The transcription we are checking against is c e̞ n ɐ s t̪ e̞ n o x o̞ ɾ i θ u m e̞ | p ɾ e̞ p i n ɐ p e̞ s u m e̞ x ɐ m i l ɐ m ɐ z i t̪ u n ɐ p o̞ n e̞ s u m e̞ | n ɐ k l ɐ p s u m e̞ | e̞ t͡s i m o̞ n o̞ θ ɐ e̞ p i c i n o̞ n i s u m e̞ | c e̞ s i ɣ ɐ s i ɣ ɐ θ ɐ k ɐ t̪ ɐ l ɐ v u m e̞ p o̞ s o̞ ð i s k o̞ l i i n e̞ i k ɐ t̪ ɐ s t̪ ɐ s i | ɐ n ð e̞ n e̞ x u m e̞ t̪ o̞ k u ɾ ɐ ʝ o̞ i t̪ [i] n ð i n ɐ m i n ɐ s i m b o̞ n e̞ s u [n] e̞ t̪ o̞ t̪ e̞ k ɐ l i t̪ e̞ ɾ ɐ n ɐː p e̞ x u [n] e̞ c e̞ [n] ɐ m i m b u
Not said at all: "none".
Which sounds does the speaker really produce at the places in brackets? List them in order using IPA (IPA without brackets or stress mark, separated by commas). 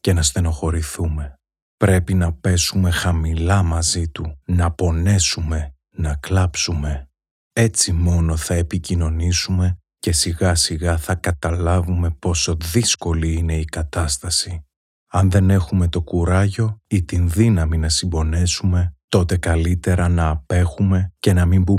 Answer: i, m, m, n